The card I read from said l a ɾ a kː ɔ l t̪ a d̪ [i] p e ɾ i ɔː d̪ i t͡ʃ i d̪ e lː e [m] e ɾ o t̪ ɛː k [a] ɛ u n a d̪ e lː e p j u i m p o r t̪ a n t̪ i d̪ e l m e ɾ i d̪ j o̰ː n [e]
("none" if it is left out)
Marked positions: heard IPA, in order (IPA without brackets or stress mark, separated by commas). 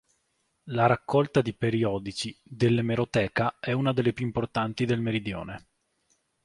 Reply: i, m, a, e